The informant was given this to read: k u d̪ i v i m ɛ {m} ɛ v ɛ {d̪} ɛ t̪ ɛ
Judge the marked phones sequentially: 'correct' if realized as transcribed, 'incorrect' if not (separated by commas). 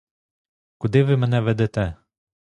incorrect, correct